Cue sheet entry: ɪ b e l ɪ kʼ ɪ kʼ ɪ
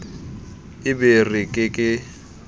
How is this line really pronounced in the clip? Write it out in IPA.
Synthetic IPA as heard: ɪ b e r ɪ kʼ ɪ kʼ ɪ